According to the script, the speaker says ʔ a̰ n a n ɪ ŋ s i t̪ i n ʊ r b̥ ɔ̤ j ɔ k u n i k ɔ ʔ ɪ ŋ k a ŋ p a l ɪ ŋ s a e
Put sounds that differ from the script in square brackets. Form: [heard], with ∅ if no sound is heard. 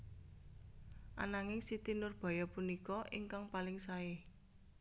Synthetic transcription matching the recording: ʔ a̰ n a [ŋ] ɪ ŋ s i t̪ i n ʊ r b̥ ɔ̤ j ɔ [p] u n i k ɔ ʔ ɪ ŋ k a ŋ p a l ɪ ŋ s a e